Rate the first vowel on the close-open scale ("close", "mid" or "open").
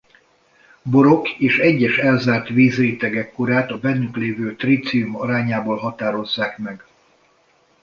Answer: mid